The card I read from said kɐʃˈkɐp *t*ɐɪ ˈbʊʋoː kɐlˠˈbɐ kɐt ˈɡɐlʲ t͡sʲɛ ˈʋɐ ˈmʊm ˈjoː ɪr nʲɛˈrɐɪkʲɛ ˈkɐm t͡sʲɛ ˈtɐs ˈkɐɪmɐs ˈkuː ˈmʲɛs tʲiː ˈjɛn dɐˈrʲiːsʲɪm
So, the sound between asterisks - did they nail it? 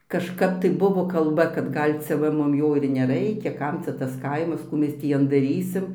yes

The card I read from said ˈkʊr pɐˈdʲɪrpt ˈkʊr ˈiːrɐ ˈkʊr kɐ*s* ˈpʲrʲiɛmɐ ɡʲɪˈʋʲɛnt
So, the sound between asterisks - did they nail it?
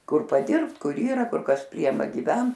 yes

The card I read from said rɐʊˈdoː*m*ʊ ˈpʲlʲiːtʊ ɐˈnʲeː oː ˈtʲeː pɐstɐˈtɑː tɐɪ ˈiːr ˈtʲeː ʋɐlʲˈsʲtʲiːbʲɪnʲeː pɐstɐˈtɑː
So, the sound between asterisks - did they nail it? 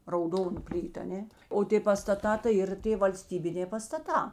no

